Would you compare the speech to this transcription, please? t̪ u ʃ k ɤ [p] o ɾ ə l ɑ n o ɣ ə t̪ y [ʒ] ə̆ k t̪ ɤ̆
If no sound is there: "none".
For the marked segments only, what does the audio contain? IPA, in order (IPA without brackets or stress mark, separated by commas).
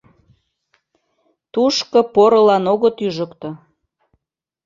p, ʒ